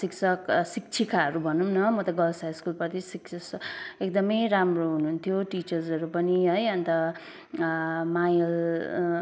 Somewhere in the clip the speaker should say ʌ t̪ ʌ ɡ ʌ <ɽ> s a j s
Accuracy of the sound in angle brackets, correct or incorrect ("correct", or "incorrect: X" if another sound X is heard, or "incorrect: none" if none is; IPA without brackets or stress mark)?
incorrect: l